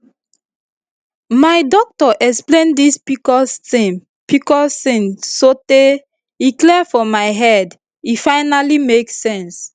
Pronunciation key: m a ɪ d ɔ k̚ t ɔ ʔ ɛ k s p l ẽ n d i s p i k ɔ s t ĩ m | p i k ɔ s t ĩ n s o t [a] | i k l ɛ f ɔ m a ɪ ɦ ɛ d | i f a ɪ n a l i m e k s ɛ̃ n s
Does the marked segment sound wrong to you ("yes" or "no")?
yes